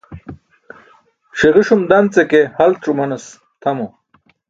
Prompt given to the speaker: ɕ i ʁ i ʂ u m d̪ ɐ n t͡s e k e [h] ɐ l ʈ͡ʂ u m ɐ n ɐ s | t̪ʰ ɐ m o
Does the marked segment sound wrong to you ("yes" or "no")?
no